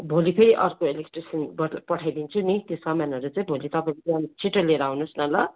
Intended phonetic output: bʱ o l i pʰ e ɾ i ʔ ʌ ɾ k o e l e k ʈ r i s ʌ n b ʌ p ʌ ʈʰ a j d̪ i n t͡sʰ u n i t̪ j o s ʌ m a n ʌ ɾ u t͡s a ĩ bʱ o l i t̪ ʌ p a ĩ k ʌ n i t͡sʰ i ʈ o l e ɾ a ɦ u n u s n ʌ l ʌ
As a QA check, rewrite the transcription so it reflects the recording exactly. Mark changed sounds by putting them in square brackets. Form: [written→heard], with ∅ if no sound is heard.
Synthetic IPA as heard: bʱ o l i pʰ e ɾ i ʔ ʌ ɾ k o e l e k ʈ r i s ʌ n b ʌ p ʌ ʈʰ a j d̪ i n t͡sʰ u n i t̪ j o s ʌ m a n ʌ ɾ u t͡s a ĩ bʱ o l i t̪ ʌ p a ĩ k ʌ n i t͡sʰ i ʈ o l e ɾ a ɦ u n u s n ʌ l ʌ